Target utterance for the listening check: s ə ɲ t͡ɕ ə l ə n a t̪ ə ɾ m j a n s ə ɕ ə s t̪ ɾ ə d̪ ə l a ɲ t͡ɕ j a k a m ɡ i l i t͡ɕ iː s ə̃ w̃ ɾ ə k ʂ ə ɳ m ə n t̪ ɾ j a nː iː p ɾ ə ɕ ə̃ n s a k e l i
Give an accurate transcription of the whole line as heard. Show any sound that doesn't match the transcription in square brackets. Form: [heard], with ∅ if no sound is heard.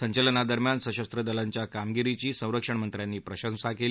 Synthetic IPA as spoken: s ə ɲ t͡ɕ ə l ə n a [d̪] ə ɾ m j a n s ə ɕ ə s t̪ ɾ ə d̪ ə l a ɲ t͡ɕ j a k a m ɡ i [ɾ] i t͡ɕ iː s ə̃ w̃ ɾ ə k ʂ ə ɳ m ə n t̪ ɾ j a nː iː p ɾ ə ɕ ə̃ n s a k e l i